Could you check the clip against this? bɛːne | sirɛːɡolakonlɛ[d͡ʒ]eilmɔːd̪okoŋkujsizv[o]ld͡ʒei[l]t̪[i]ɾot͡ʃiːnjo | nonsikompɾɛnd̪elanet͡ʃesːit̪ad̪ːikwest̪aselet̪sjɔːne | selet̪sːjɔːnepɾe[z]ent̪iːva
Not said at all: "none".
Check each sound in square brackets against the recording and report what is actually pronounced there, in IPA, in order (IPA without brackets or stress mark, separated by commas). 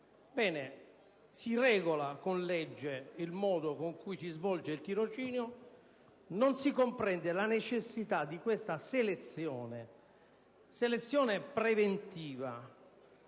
d͡ʒː, ɔ, l, i, v